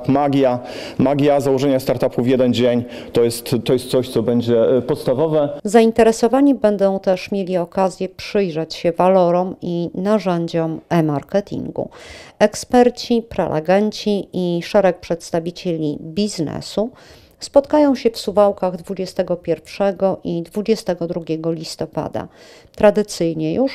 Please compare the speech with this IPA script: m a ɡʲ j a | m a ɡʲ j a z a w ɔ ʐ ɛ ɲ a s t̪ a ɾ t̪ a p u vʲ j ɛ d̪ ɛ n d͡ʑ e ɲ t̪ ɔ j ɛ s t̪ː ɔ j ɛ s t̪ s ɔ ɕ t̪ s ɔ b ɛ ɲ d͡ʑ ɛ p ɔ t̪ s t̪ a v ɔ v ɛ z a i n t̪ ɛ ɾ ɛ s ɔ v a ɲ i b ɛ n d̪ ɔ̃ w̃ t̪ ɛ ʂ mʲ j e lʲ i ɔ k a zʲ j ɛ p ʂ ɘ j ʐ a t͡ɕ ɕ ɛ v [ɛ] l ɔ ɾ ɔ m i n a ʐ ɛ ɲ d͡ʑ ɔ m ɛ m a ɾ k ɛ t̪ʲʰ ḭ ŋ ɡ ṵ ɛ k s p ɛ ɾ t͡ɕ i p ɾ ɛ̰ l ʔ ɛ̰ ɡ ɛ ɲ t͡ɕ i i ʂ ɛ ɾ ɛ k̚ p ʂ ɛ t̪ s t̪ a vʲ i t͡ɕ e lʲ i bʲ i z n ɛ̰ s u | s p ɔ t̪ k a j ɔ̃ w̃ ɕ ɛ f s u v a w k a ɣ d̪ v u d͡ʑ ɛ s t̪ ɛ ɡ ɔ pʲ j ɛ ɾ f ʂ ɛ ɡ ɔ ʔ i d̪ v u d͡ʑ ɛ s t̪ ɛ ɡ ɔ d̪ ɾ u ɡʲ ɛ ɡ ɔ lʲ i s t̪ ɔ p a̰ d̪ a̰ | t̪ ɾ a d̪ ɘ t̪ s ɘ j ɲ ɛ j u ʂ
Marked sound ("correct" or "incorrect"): incorrect